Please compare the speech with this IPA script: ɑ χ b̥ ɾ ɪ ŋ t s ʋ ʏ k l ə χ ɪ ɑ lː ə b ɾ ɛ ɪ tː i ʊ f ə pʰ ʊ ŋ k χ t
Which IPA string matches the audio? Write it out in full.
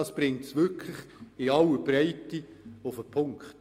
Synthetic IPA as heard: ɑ s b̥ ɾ ɪ ŋ t s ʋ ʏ kʰ l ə χ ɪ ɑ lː ə b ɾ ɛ ɪ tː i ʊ f ə pʰ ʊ ŋ k χ t